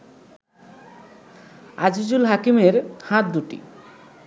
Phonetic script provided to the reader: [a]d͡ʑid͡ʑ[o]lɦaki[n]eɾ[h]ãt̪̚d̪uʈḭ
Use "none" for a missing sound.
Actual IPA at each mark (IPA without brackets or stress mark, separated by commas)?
a, u, m, h